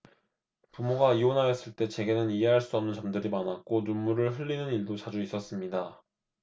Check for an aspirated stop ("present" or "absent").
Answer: absent